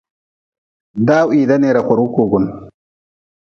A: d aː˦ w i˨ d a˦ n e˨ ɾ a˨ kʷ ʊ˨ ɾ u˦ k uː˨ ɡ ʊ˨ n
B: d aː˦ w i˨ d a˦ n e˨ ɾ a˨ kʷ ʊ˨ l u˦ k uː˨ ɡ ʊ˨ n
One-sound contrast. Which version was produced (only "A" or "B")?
A